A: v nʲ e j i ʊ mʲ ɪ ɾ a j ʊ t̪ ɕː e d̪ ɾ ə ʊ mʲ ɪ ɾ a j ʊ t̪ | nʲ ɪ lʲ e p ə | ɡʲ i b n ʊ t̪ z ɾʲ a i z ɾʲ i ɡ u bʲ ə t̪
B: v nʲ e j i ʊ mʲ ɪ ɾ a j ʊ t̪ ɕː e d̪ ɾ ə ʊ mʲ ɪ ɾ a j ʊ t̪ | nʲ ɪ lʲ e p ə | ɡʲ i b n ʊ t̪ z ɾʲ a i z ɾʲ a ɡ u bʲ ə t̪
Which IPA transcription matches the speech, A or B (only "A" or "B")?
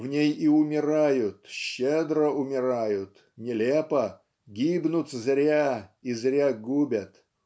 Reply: B